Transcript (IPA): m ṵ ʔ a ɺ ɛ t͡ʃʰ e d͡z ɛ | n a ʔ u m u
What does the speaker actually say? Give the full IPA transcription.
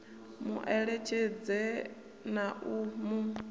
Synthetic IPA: m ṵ ʔ ɛ ɺ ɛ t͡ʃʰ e d͡z ɛ | n a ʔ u m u